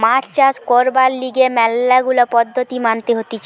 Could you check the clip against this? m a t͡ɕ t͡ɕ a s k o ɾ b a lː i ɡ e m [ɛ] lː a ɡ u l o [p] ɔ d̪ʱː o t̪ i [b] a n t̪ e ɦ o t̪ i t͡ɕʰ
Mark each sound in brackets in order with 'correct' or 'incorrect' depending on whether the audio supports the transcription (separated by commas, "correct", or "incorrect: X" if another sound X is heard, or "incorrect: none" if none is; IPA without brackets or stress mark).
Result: correct, correct, incorrect: m